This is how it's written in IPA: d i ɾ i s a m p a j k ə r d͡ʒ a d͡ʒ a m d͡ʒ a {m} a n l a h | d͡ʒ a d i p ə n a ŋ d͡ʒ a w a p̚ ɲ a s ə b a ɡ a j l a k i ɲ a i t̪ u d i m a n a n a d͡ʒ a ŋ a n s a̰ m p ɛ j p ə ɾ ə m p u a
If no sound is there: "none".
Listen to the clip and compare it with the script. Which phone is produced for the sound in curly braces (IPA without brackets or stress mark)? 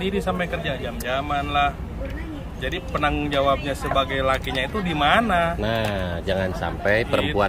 m